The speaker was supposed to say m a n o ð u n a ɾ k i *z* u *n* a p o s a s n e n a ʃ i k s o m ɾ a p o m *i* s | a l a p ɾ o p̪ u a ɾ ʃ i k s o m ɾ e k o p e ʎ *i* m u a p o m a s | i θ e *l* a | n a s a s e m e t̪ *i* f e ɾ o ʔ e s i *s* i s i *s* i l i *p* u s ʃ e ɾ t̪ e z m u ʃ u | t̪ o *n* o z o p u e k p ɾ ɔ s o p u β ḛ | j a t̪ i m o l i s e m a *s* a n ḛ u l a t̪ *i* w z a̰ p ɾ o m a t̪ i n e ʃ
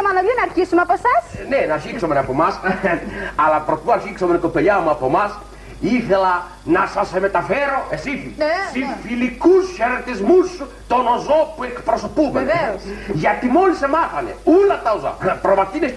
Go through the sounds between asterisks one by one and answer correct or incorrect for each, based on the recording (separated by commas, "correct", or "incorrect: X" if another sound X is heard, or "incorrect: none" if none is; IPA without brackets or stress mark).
incorrect: s, incorrect: m, incorrect: a, incorrect: a, correct, incorrect: a, incorrect: f, incorrect: f, incorrect: k, correct, incorrect: θ, incorrect: a